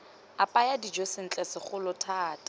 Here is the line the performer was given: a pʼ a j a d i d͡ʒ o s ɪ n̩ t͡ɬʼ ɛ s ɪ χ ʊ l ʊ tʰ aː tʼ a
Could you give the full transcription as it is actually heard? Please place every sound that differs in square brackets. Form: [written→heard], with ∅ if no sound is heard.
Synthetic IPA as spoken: a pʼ a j a d i d͡ʒ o s ɪ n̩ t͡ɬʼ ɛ s ɪ χ ʊ l ʊ tʰ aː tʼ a